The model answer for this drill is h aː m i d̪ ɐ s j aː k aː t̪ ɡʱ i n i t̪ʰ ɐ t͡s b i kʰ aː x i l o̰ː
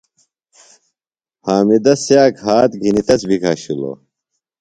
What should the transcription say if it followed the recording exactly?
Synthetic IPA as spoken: h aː m i d̪ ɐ s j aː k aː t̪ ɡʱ i n i t̪ ɐ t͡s b i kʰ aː ɕ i l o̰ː